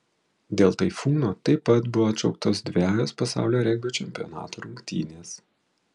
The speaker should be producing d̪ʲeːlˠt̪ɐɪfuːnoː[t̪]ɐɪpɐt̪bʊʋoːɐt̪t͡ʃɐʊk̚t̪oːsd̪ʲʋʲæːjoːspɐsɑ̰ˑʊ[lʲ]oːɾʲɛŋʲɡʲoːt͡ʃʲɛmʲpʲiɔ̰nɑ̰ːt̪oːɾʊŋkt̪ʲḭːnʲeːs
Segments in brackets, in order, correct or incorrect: correct, correct

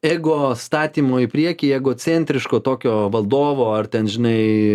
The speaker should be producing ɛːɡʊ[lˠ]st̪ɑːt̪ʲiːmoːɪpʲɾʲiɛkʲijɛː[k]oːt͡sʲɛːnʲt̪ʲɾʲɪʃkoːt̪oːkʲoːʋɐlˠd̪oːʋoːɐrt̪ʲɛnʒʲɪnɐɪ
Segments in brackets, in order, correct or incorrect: incorrect, incorrect

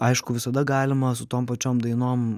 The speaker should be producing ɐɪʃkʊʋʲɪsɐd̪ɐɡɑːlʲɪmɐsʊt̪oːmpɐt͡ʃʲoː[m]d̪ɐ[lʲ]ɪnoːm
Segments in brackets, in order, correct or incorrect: correct, incorrect

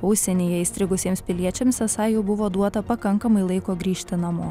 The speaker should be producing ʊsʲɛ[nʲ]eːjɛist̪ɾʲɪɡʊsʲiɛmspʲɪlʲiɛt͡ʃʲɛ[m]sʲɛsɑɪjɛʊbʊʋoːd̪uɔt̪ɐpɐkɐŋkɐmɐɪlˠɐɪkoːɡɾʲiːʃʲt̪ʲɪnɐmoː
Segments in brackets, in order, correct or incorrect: correct, correct

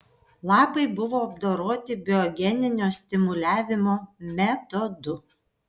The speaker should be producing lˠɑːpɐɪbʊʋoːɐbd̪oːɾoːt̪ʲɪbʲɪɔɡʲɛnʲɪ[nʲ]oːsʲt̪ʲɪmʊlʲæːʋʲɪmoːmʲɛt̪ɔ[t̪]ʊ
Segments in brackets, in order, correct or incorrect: correct, incorrect

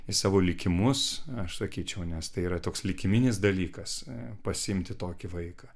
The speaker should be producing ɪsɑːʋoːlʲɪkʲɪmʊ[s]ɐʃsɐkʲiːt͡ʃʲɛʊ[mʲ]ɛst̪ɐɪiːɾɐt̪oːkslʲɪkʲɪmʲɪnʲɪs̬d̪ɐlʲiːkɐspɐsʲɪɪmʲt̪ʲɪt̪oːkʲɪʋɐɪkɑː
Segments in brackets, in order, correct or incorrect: correct, incorrect

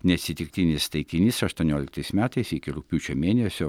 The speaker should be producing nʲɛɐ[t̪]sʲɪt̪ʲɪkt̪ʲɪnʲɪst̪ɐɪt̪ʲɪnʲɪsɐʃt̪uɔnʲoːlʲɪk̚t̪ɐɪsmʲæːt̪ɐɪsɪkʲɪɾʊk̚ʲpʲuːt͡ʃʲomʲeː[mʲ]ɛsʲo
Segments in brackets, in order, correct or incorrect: correct, incorrect

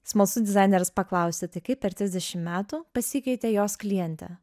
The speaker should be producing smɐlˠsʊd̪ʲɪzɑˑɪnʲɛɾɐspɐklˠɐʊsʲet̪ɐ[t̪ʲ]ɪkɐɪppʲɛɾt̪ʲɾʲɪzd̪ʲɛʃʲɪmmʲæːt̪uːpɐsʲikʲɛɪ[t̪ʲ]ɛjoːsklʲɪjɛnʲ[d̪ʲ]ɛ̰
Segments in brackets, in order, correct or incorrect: incorrect, correct, incorrect

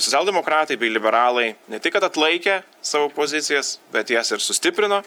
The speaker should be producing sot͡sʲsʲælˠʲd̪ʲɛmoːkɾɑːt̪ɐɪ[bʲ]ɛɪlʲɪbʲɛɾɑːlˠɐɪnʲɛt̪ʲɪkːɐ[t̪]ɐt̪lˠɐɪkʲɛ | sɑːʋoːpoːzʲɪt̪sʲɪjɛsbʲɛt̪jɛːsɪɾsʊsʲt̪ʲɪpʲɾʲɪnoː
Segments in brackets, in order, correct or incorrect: correct, correct

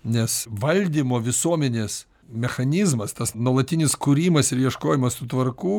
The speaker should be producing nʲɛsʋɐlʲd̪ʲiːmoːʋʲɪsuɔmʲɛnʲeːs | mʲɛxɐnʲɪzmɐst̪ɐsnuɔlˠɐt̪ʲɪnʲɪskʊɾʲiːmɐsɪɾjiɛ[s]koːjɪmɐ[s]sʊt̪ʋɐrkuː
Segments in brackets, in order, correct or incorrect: incorrect, correct

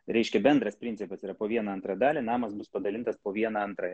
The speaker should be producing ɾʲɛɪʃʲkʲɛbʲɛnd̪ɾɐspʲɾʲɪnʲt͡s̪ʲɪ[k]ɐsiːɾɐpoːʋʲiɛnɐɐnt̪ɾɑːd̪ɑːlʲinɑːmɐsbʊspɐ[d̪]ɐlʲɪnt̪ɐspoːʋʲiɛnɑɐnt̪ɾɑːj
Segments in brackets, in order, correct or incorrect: incorrect, correct

